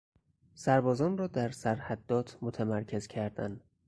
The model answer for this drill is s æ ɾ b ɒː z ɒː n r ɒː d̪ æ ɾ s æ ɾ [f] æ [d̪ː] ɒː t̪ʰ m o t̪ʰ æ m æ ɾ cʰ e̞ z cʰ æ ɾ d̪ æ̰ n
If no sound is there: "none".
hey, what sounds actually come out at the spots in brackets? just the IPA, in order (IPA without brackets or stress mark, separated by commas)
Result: h, d̪ː